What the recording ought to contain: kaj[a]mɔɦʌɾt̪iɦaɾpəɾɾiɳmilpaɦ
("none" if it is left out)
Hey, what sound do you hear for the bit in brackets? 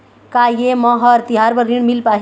e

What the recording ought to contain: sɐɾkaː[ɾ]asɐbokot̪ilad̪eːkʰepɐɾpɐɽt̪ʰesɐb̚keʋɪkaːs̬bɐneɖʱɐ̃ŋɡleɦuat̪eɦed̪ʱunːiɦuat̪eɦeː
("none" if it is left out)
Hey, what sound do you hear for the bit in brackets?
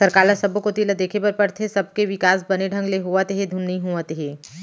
l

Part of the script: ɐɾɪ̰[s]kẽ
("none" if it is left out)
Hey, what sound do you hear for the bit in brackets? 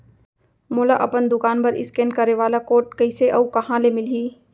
s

